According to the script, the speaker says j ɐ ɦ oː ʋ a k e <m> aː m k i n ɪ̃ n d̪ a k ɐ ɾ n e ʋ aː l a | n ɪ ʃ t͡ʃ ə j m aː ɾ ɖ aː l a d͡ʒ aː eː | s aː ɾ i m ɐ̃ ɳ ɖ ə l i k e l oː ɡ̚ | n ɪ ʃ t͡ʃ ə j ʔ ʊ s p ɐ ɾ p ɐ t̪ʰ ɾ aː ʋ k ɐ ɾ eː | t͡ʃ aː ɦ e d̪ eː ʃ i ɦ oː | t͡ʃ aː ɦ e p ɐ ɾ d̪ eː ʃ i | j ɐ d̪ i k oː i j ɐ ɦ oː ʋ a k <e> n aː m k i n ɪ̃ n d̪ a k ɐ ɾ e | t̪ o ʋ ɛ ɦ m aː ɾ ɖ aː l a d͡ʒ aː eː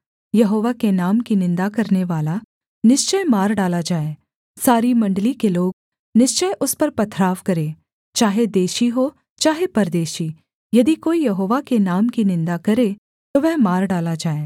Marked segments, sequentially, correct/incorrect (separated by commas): incorrect, correct